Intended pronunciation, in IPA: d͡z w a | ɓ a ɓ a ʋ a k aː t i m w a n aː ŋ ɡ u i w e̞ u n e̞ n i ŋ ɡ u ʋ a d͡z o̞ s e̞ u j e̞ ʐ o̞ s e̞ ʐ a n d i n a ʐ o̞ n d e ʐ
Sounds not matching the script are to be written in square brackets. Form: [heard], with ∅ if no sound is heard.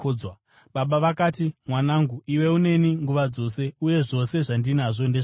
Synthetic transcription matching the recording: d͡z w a | ɓ a ɓ a ʋ a k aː t i m w a n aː ŋ ɡ u i w e̞ u n e̞ n i ŋ ɡ u ʋ a d͡z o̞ s e̞ u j e̞ ʐ o̞ s e̞ ʐ a n d i n a ʐ o̞ n d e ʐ